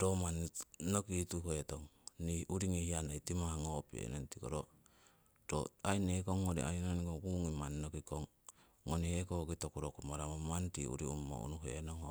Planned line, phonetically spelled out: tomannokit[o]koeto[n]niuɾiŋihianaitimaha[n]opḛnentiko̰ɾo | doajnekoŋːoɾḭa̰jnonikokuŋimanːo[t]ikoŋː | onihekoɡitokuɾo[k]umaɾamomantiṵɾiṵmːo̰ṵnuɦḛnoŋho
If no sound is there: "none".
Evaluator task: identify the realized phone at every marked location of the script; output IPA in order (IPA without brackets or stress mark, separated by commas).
u, ŋ, ŋ, k, k